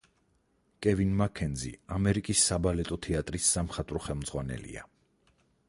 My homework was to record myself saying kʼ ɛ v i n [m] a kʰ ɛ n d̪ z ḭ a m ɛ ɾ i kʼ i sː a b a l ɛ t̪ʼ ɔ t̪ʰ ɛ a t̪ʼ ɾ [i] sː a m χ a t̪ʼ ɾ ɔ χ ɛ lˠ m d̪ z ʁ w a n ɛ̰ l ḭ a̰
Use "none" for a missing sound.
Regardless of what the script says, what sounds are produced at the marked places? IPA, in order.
m, i

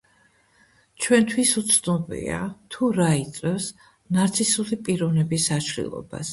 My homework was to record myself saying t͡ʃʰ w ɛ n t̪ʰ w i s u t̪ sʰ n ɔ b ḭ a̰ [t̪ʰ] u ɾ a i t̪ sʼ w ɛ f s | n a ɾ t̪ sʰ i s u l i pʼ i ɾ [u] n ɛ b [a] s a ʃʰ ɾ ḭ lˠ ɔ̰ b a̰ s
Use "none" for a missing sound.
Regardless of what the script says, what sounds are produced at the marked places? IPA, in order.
t̪ʰ, ɔ, i

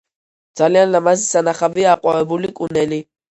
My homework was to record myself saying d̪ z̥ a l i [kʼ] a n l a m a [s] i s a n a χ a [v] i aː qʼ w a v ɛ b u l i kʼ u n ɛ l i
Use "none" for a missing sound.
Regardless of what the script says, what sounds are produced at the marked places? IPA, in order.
none, z, v

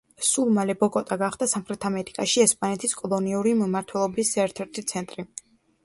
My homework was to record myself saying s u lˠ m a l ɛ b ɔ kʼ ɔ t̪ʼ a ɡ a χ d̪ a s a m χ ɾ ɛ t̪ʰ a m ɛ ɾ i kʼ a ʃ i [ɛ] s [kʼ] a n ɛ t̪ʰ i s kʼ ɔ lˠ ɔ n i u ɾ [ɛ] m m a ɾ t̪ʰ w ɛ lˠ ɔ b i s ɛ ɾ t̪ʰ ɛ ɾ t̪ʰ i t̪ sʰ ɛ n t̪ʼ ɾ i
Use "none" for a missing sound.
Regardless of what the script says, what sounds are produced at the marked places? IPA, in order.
ɛ, pʼ, i

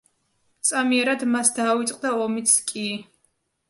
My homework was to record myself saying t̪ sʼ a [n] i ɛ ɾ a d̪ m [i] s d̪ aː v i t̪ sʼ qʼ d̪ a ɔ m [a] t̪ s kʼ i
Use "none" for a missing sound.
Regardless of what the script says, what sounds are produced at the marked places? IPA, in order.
m, a, i

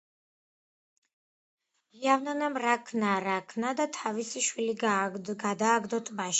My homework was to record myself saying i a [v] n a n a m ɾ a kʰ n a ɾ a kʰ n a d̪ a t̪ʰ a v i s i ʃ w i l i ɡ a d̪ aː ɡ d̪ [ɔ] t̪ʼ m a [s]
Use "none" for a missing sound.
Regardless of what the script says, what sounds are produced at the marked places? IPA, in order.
v, ɔ, ʃ

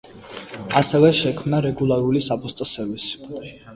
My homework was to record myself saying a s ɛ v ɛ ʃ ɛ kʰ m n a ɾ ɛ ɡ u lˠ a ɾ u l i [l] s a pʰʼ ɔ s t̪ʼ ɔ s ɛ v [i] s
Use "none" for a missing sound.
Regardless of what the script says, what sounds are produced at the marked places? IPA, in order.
none, i

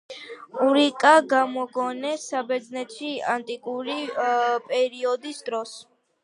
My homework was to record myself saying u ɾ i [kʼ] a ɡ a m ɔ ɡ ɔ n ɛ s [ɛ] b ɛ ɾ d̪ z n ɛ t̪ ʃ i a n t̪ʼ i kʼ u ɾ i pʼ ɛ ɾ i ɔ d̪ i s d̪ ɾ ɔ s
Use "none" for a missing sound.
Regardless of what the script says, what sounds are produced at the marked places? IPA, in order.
kʼ, a

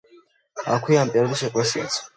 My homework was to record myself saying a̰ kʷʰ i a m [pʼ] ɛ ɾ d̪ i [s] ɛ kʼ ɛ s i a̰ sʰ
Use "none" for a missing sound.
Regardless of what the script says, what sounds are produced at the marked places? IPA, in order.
pʼ, ʃ

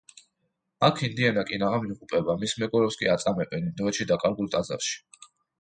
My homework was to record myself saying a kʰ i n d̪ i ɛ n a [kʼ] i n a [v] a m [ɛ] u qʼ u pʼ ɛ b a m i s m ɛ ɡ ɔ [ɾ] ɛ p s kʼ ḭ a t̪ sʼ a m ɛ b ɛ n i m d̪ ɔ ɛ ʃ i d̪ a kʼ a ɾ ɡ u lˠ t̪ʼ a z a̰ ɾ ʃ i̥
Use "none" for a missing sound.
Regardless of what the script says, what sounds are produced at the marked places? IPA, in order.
kʼ, ʁ, i, ɾ

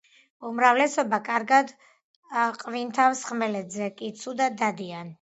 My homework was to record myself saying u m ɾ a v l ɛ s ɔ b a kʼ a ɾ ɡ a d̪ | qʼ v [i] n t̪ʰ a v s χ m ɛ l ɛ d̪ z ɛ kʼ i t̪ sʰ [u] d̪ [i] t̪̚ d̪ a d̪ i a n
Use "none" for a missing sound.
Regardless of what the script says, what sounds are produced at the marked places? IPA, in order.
i, u, a

